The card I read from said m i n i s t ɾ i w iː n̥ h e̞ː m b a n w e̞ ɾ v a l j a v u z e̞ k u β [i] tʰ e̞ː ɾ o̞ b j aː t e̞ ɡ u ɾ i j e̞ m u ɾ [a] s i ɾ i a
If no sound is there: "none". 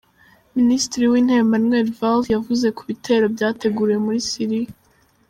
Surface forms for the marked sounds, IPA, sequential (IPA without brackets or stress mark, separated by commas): i, i